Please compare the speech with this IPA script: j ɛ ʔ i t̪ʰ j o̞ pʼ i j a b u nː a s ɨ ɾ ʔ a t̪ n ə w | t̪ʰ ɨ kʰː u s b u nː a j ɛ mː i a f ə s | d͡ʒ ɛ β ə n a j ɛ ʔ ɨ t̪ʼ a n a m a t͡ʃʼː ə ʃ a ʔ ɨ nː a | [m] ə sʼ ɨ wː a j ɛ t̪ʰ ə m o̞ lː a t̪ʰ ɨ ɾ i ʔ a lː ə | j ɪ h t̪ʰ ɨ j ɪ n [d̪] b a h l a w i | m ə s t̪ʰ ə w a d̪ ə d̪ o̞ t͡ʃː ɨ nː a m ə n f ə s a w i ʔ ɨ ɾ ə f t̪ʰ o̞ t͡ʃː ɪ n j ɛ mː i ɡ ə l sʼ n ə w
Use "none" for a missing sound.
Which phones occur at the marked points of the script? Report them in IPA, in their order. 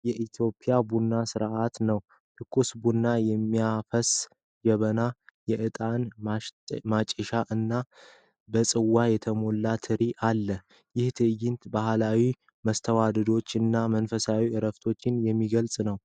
b, t̪

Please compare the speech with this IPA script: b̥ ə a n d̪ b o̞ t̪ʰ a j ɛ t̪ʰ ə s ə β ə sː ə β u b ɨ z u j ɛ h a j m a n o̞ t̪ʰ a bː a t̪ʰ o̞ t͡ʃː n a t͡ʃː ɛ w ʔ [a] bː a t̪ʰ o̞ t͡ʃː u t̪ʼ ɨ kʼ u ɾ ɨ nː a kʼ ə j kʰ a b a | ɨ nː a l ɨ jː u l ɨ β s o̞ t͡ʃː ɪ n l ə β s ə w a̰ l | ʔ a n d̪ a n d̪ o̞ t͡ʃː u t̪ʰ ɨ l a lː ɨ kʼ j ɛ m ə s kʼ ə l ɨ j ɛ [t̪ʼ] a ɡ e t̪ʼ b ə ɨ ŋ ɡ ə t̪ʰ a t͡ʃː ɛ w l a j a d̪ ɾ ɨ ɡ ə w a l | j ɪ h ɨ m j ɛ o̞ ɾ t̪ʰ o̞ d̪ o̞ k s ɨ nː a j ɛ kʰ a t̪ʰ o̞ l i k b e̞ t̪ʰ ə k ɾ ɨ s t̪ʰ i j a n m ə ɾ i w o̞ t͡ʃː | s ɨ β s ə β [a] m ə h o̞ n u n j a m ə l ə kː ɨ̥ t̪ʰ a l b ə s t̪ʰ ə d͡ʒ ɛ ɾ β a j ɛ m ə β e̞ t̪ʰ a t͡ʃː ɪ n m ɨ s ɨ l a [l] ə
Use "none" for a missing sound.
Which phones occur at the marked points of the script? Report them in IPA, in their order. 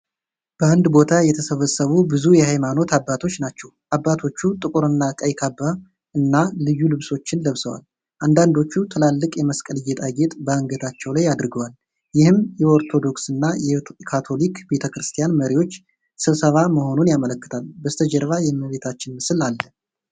a, t̪ʼ, a, lː

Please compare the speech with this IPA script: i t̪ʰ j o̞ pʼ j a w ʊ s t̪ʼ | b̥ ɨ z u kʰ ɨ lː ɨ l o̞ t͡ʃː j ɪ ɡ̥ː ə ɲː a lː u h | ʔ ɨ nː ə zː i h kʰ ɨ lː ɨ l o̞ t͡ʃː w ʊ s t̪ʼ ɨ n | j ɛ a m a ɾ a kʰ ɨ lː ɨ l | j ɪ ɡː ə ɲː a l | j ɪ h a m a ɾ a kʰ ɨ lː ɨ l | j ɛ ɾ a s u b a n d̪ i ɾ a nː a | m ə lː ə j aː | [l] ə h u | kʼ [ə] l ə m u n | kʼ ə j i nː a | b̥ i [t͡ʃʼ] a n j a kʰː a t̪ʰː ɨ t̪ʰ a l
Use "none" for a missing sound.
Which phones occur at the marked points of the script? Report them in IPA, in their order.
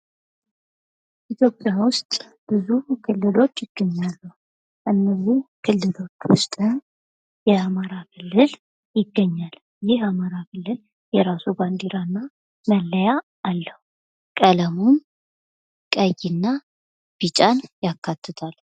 lː, ə, t͡ʃʼ

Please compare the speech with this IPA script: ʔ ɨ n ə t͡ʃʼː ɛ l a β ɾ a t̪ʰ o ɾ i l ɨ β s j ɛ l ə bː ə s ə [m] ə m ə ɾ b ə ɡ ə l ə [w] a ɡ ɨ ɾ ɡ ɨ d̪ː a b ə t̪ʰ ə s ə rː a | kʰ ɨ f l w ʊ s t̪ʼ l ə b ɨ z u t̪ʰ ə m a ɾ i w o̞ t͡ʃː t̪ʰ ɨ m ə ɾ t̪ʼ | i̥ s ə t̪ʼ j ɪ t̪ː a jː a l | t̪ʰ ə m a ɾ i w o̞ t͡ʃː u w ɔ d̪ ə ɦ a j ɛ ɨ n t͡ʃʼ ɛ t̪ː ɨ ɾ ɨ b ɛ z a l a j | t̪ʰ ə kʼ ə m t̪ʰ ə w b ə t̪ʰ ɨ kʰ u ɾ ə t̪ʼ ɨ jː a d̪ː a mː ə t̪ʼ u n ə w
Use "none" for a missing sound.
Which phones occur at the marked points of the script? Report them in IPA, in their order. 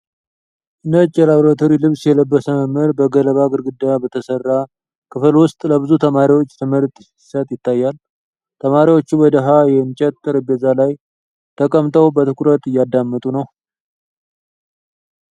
m, β

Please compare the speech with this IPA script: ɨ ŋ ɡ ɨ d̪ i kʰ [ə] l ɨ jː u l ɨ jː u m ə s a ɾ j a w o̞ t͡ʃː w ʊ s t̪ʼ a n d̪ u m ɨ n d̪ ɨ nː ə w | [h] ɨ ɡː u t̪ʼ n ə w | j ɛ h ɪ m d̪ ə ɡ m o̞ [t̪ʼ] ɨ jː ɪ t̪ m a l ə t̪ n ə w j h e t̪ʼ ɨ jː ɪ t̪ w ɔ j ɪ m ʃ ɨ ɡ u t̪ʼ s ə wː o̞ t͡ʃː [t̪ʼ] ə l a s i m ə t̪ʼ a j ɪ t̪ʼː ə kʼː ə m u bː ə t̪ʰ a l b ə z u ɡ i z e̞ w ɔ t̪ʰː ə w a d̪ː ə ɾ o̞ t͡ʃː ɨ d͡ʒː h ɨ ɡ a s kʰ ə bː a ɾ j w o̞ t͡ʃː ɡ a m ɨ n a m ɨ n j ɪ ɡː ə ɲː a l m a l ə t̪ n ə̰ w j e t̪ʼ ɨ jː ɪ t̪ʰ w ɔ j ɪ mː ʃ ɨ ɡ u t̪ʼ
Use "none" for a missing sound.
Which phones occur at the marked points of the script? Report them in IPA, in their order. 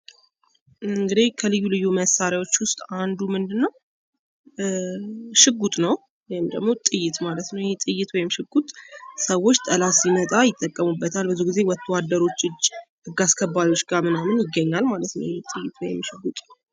ə, ʃ, t̪ʼ, t̪ʼ

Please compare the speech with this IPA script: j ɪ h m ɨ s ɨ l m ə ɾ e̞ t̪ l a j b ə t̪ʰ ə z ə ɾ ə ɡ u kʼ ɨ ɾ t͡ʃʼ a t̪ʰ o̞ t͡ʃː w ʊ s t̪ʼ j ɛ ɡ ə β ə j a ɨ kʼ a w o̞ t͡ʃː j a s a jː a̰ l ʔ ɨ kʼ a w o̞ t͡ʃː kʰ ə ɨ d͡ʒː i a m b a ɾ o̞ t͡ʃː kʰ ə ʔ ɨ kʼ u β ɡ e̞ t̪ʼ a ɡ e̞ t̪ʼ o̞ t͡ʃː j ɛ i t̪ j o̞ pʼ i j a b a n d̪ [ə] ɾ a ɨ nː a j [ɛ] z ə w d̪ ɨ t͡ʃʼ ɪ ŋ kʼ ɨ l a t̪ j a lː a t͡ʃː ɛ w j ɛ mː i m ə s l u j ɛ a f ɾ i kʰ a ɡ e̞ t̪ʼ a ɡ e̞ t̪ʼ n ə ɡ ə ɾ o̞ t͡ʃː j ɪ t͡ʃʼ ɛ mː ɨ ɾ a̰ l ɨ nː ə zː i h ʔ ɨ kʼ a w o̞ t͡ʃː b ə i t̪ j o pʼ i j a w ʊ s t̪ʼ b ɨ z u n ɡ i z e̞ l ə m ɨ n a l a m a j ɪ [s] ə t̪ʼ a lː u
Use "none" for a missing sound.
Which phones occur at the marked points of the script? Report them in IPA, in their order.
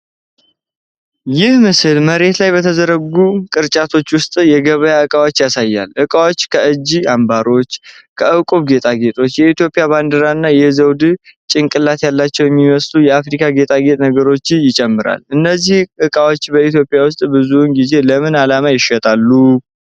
ə, ɛ, ʃ

